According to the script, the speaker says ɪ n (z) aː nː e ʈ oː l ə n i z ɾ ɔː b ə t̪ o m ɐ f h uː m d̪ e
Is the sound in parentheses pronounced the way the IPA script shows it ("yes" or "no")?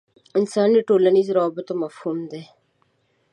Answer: no